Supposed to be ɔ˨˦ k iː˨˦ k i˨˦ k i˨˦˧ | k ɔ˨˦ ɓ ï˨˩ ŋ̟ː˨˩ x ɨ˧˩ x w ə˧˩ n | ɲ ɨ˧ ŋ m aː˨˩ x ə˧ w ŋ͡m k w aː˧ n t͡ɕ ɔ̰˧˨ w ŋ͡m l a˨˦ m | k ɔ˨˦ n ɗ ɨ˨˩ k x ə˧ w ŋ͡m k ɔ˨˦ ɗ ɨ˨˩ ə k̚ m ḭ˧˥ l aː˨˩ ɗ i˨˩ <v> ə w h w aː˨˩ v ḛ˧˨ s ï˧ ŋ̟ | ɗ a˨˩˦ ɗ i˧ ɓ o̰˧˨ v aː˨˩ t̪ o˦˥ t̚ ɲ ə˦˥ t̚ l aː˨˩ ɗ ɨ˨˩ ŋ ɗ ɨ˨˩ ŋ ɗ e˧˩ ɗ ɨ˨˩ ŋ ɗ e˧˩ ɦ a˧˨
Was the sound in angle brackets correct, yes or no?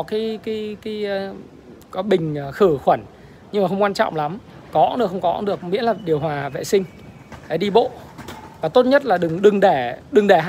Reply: no